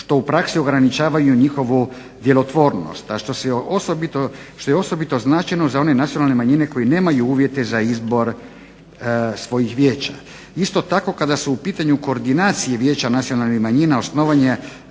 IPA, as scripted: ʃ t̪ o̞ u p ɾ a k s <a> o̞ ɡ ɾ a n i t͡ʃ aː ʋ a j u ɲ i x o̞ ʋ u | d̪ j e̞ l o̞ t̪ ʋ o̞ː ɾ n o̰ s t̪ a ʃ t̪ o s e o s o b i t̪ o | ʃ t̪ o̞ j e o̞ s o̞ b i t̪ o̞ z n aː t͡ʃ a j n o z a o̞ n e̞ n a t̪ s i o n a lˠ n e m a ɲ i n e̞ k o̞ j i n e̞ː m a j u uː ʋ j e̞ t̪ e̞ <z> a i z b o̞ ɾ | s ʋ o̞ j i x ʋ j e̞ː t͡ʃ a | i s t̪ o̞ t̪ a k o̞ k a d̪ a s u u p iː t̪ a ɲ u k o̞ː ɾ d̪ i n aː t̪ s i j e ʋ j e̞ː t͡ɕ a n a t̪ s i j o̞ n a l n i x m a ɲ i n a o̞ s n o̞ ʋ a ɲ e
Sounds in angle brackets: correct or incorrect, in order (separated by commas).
incorrect, correct